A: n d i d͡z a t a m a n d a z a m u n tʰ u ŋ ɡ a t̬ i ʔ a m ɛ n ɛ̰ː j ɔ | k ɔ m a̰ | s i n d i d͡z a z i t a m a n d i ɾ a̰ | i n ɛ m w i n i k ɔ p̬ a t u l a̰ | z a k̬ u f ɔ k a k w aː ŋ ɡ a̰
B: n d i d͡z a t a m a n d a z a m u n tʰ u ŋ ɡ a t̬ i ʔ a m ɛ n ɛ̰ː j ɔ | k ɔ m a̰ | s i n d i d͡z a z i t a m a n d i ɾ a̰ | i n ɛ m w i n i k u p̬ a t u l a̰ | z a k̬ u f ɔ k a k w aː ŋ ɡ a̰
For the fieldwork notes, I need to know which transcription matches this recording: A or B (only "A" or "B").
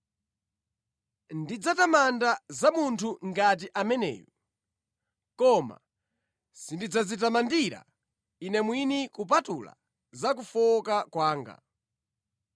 B